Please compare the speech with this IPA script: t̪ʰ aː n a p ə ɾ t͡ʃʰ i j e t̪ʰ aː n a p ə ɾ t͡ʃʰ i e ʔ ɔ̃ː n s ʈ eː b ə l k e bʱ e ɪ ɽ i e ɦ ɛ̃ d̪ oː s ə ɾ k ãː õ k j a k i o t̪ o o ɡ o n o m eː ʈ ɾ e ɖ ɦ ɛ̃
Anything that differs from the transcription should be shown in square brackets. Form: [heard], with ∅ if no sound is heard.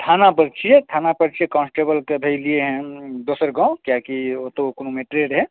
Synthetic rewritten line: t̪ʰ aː n a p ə ɾ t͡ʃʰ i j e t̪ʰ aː n a p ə ɾ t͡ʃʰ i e [k] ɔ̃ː n s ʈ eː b ə l k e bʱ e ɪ [l] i e ɦ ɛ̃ d̪ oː s ə ɾ [ɡ] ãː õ k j a k i o t̪ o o [k] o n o m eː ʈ ɾ e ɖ ɦ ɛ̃

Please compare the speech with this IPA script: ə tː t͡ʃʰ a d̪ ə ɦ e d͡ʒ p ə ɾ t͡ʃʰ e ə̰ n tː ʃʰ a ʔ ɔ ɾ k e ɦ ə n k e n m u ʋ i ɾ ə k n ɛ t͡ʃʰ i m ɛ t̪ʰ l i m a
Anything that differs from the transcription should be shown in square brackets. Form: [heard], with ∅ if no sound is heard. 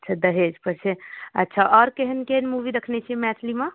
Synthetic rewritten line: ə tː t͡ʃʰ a d̪ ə ɦ e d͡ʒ p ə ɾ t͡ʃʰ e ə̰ [∅] tː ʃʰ a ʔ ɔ ɾ k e ɦ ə n k e n m u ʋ i ɾ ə [kʰ] n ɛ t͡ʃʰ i m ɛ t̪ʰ l i m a

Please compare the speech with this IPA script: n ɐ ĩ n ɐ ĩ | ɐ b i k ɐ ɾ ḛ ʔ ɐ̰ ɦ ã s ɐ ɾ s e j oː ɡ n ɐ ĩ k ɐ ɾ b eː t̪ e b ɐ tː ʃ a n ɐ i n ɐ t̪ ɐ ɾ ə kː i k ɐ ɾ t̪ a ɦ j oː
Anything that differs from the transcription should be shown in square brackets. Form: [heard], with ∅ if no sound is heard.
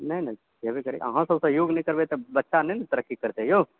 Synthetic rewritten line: n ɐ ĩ n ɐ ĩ | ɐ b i k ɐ ɾ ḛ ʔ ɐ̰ ɦ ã s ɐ [∅] s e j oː ɡ n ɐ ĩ k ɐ ɾ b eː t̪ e b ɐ tː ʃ a n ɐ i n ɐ t̪ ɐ ɾ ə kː i k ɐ ɾ t̪ [e] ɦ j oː

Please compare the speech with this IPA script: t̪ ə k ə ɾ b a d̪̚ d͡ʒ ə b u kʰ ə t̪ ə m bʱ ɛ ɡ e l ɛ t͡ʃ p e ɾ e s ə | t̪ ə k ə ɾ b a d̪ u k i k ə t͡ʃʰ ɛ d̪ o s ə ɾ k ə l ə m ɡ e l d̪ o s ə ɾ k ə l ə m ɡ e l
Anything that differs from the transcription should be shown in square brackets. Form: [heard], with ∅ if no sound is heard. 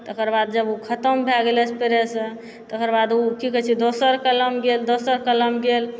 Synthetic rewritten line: t̪ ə k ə ɾ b a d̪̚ d͡ʒ ə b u kʰ ə t̪ ə m bʱ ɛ ɡ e l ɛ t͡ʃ p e ɾ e s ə | t̪ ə k ə ɾ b a d̪ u k i k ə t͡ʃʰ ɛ d̪ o s ə ɾ k ə l ə m ɡ e l d̪ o s ə ɾ k ə l ə m ɡ e l

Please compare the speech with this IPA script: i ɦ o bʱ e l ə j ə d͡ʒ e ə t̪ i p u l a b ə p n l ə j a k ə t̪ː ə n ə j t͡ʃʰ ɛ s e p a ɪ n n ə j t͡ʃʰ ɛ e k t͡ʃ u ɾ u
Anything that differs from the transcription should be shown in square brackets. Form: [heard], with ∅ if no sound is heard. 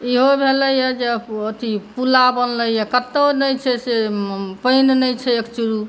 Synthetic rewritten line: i ɦ o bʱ e l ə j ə d͡ʒ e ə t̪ i p u l a b ə [∅] n l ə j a k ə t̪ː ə n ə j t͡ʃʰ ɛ s e p [ə] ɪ n n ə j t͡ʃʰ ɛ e k t͡ʃ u ɾ u

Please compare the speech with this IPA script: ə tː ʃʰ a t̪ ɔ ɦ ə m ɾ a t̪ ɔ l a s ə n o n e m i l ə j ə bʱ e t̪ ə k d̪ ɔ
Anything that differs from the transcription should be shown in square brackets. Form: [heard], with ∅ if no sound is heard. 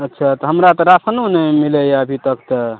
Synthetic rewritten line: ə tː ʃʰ a t̪ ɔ ɦ ə m ɾ a t̪ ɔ [ɾ] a s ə n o n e m i l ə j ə bʱ [i] t̪ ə k [t̪] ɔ

